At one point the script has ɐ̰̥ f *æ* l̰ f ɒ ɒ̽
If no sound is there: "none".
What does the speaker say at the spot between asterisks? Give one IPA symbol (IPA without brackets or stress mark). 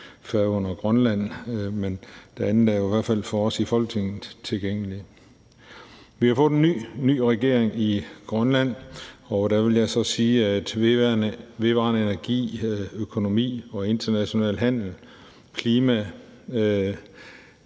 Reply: æ